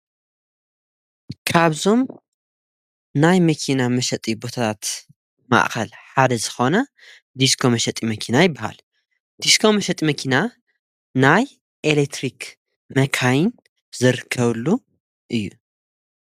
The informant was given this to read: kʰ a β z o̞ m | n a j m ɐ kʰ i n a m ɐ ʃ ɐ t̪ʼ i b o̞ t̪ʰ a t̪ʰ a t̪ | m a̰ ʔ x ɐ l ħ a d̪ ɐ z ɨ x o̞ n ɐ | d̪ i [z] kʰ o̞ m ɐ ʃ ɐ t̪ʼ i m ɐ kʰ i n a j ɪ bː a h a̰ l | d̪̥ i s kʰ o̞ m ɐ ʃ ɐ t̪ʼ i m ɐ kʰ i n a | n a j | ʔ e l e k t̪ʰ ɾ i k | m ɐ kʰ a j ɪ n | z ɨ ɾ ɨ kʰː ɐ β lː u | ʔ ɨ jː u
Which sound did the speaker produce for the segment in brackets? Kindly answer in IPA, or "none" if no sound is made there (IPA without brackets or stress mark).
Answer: s